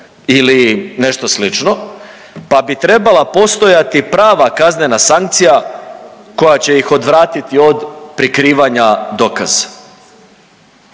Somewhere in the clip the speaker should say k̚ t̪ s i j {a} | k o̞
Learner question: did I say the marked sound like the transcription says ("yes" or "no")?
yes